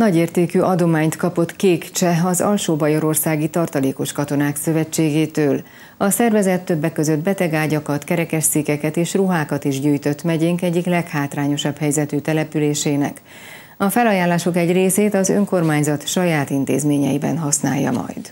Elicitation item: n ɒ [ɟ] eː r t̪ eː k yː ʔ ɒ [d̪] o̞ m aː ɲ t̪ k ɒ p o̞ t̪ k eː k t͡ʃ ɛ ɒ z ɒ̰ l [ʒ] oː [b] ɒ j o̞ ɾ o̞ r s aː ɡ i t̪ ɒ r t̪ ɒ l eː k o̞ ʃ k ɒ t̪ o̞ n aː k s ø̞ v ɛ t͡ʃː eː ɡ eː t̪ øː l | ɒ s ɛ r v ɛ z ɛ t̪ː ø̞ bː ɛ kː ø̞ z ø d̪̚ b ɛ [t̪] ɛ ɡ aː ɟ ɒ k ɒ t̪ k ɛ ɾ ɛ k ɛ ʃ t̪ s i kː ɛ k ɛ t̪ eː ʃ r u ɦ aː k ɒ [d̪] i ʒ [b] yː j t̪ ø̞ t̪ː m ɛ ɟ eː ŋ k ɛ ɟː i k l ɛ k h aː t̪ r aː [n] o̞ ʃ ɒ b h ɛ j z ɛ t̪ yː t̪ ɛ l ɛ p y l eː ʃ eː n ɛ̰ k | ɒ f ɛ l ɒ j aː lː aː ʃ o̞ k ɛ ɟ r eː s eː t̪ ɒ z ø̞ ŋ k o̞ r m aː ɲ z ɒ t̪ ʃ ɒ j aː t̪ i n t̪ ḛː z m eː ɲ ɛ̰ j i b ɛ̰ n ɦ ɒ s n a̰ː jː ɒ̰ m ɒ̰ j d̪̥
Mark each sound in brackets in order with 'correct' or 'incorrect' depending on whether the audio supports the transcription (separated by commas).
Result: correct, correct, incorrect, correct, correct, incorrect, incorrect, incorrect